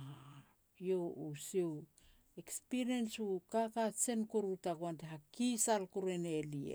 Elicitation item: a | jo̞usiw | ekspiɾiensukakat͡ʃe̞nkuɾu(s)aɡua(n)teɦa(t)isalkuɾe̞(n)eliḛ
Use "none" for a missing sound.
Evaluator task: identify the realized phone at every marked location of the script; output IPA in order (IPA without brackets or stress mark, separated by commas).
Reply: t, n, k, n